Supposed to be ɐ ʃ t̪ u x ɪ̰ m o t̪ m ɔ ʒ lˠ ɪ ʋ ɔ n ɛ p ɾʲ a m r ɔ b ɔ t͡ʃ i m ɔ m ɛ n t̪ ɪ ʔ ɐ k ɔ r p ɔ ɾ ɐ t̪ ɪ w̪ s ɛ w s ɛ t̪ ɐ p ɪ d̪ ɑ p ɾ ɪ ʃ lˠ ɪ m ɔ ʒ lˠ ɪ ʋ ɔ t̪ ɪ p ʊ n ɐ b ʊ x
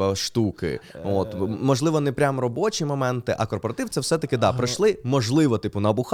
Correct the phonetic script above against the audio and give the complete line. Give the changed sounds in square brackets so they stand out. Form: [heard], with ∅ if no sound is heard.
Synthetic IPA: ɐ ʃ t̪ u [k] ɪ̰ [∅] o t̪ m ɔ ʒ lˠ ɪ ʋ ɔ n ɛ p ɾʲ a m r ɔ b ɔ t͡ʃ i m ɔ m ɛ n t̪ ɪ ʔ ɐ k ɔ r p ɔ ɾ ɐ t̪ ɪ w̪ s ɛ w s ɛ t̪ ɐ [k] ɪ d̪ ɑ p ɾ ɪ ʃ lˠ ɪ m ɔ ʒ lˠ ɪ ʋ ɔ t̪ ɪ p ʊ n ɐ b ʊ x